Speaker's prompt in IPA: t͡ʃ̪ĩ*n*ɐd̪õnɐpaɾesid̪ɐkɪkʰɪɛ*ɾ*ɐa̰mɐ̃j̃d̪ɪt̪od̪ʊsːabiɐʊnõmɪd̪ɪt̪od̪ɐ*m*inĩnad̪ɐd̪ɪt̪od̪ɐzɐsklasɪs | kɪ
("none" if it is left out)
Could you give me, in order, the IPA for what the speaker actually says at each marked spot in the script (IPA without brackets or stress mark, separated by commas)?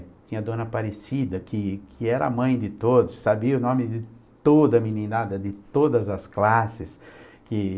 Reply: ɲ, ɾ, m